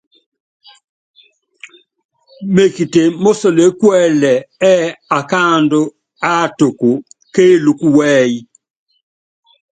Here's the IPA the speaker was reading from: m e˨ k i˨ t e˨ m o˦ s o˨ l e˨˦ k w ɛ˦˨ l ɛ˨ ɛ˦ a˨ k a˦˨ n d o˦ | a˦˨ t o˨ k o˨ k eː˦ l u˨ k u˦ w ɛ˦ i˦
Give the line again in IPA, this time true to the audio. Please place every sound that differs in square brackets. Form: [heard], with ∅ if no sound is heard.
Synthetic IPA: m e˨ k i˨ t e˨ m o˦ s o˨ l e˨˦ k w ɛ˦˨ l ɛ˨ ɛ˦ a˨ k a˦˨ n d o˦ | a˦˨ t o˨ k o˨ k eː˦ l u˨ k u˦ w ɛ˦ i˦